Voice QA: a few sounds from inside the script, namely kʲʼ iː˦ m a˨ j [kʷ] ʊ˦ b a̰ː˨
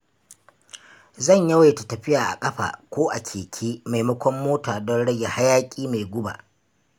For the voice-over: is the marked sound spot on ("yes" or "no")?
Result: no